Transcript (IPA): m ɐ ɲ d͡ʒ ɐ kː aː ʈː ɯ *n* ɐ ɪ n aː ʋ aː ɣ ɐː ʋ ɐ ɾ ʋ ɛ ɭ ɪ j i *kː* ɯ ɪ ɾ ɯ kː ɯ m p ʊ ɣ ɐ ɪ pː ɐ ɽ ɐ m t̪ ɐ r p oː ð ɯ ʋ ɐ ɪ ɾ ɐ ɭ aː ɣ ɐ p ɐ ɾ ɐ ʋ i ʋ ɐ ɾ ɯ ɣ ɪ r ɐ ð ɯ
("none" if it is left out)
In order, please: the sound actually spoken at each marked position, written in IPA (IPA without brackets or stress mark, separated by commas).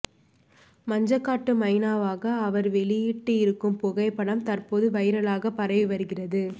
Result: m, ʈː